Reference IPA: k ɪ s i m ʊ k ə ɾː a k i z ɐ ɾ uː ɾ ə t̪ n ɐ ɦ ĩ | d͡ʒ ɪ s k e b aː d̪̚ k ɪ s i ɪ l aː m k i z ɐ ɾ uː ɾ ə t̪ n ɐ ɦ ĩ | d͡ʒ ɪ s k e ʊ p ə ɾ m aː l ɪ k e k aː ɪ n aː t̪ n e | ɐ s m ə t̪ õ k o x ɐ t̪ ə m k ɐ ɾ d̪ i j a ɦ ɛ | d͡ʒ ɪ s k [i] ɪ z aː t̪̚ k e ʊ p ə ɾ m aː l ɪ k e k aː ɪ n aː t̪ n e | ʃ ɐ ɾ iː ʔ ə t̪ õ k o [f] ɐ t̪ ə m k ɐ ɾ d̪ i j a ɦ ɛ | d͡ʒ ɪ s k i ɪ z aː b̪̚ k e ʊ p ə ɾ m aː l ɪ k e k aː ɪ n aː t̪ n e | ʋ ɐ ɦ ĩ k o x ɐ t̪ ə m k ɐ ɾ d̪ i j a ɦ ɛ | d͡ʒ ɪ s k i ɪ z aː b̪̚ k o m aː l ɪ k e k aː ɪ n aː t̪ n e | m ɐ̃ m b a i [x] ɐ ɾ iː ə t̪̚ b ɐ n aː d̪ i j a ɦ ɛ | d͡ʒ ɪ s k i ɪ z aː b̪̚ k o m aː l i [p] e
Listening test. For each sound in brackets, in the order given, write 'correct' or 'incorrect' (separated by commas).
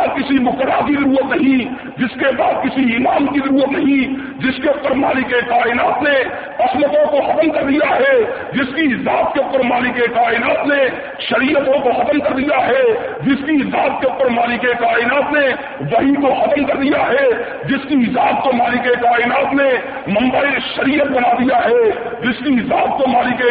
correct, incorrect, incorrect, incorrect